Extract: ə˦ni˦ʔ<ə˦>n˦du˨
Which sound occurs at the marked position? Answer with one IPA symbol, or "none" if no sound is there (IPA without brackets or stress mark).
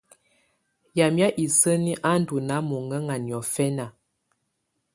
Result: a˦